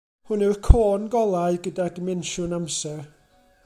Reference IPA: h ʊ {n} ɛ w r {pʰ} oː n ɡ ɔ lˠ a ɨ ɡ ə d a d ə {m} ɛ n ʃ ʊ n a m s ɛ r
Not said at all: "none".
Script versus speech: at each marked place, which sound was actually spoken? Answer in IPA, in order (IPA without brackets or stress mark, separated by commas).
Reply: n, kʰ, m